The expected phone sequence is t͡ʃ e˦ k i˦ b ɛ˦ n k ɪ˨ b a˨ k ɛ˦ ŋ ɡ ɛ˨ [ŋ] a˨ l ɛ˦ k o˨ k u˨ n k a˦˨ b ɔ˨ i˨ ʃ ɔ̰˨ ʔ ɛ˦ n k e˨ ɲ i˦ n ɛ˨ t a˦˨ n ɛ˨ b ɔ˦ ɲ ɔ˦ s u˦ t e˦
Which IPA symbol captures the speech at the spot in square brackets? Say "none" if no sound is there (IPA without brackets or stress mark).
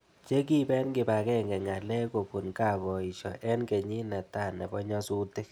ŋ